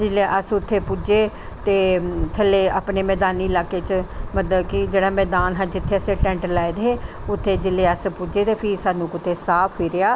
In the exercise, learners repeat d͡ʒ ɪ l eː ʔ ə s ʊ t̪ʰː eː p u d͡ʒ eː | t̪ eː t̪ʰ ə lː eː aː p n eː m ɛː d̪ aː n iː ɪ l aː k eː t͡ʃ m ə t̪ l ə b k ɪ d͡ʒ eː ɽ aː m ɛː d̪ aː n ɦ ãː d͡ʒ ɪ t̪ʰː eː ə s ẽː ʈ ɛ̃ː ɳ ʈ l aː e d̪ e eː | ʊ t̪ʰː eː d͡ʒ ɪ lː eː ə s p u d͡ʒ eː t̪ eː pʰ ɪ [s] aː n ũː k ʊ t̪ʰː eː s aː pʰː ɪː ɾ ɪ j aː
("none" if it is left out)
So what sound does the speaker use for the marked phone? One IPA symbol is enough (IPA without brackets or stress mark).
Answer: s